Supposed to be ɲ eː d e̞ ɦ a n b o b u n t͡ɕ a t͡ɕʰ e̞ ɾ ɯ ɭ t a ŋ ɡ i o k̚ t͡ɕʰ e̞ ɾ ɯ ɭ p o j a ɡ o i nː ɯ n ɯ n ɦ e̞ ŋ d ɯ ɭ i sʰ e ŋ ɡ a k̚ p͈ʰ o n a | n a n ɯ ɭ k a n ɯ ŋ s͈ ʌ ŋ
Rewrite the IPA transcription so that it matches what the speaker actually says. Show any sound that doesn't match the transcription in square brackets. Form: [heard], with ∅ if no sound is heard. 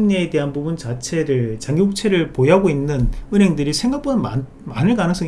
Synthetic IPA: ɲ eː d e̞ ɦ a n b [u] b u n t͡ɕ a t͡ɕʰ e̞ ɾ ɯ ɭ [t͡ɕ] a ŋ ɡ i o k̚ t͡ɕʰ e̞ ɾ ɯ ɭ p o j a ɡ o i nː ɯ n ɯ n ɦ e̞ ŋ d ɯ [ɾ] i sʰ e ŋ ɡ a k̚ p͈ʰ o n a | [m] a n ɯ ɭ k a n ɯ ŋ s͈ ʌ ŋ